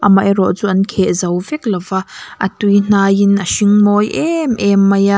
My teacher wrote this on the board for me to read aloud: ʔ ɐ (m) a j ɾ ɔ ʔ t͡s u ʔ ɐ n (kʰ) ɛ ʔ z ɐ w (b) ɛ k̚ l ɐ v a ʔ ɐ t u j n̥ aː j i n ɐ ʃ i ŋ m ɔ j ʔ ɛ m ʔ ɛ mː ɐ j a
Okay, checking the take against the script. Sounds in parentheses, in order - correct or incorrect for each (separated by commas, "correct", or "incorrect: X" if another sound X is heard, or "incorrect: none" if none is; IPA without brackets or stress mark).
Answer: correct, correct, incorrect: v